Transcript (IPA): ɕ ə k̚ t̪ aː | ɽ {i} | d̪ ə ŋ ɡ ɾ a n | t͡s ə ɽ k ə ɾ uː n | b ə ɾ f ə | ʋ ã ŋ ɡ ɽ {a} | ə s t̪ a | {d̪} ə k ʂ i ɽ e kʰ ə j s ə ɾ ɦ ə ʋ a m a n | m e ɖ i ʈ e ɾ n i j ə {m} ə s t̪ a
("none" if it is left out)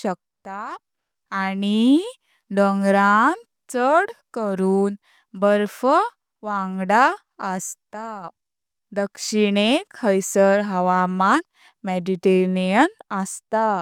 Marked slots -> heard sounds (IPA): i, a, d̪, n

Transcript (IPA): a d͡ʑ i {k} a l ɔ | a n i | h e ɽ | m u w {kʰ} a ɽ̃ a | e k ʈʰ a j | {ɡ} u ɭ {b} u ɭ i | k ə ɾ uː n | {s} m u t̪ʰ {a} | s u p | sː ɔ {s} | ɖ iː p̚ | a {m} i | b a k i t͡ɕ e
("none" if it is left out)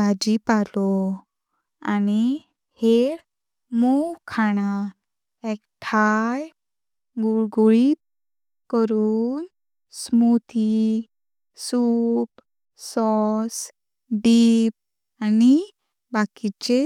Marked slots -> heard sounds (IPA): p, kʰ, ɡ, ɡ, s, i, s, n

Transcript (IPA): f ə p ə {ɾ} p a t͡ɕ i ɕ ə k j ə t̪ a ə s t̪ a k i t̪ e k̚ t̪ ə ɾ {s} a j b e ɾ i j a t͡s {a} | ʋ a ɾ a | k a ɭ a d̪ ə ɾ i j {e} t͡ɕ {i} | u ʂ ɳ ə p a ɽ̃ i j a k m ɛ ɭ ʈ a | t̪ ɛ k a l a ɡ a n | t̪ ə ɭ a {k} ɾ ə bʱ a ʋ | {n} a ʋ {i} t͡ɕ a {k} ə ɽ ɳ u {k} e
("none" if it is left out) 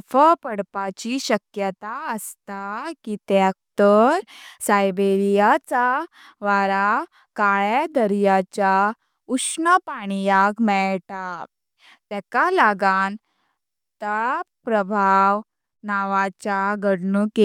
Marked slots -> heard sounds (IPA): ɽ, s, a, a, a, p, n, a, ɡ, k

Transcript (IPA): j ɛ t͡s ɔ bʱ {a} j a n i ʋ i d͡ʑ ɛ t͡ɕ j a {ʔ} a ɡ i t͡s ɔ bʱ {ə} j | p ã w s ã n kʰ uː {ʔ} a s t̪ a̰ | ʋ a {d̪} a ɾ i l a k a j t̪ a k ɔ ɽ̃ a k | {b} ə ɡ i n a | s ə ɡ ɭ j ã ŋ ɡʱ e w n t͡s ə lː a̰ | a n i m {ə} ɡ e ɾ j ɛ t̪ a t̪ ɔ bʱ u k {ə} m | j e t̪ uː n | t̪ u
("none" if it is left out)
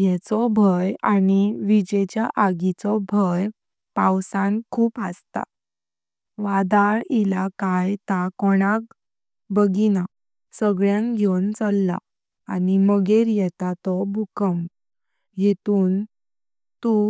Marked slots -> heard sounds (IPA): ə, ʔ, ə, p, d̪, b, ə, ə

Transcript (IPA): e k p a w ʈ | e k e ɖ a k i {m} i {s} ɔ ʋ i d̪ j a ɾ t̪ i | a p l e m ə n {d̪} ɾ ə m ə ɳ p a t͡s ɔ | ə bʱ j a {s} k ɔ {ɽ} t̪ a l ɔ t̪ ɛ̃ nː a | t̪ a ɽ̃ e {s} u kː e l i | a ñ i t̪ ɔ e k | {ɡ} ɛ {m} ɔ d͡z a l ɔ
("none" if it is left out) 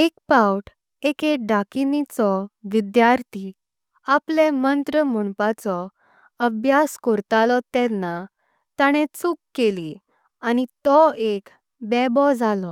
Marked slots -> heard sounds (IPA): n, t͡s, t̪, s, ɾ, t͡s, b, b

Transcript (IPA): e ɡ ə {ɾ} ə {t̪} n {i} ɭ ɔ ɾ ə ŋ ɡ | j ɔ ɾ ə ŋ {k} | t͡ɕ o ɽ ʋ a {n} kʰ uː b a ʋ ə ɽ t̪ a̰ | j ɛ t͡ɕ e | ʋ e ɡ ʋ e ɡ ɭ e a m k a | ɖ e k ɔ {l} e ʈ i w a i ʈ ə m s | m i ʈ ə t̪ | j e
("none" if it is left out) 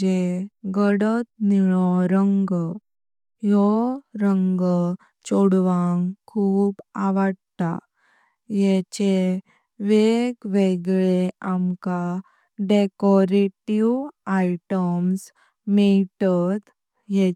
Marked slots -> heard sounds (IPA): ɽ, t̪, i, ɡ, ŋ, ɾ

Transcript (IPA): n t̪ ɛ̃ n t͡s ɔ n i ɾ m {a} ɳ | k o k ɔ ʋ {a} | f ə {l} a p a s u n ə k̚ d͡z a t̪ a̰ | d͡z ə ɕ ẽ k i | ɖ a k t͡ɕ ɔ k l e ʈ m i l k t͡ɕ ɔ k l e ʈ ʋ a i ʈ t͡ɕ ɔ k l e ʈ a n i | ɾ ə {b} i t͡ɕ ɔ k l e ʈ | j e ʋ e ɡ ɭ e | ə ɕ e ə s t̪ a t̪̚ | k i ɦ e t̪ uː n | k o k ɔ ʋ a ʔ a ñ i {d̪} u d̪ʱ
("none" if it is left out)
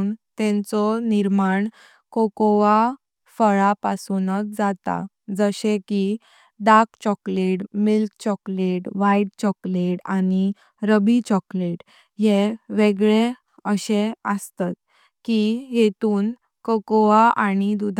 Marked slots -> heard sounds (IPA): a, a, ɭ, b, d̪

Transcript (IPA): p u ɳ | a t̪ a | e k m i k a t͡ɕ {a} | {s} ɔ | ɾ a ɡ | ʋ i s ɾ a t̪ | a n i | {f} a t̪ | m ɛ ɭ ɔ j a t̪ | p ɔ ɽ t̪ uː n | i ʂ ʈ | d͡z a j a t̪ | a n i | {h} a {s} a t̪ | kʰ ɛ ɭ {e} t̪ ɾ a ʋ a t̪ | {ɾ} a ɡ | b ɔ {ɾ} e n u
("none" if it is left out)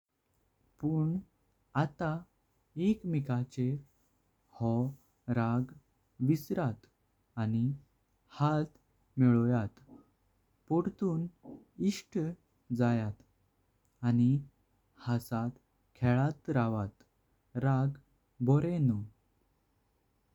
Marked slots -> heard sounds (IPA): e, h, h, h, s, a, ɾ, ɾ

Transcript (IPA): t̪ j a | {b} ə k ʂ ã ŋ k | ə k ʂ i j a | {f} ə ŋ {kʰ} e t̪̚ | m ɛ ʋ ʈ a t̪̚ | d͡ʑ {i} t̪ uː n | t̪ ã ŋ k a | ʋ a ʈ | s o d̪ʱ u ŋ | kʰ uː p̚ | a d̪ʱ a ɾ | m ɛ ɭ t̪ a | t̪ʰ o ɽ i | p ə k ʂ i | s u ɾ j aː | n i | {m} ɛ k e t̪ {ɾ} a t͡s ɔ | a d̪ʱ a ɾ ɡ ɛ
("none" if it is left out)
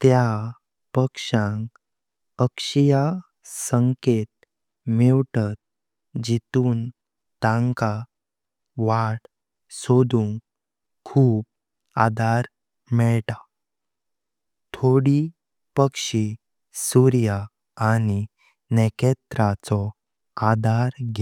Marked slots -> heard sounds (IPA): p, s, k, i, n, ɾ

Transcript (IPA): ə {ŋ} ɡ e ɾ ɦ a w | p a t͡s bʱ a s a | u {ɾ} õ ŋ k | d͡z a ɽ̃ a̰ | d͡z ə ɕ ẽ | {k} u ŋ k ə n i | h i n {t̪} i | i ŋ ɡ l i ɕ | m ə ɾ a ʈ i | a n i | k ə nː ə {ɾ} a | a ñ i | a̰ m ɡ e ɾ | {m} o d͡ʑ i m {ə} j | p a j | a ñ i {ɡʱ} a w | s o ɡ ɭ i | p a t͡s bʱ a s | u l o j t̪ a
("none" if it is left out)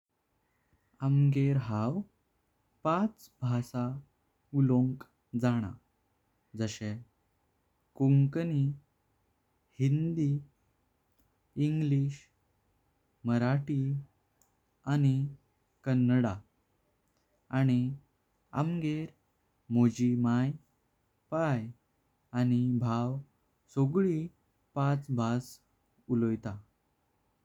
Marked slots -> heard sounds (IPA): m, l, k, d̪, ɽ, m, a, bʱ

